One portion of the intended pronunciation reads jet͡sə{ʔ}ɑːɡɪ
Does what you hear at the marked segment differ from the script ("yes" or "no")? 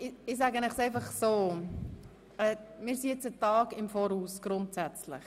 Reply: yes